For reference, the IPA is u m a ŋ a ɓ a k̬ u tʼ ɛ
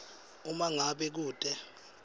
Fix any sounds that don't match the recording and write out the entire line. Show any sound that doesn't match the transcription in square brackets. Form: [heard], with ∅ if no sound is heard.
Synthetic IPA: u m a ŋ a ɓ [ɛ] k̬ [uː] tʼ ɛ